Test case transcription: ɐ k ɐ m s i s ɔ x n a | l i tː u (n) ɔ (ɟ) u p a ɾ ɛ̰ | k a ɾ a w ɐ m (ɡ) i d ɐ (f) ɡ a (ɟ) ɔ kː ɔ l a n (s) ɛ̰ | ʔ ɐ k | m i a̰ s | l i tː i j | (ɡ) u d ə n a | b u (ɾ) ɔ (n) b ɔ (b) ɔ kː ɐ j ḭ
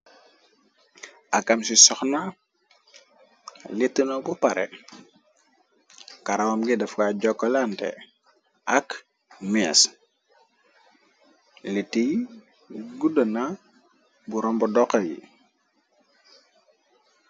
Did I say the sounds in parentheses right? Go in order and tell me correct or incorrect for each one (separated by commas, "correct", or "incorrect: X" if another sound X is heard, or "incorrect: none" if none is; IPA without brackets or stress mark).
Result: correct, incorrect: b, correct, correct, correct, incorrect: t, correct, correct, incorrect: m, incorrect: d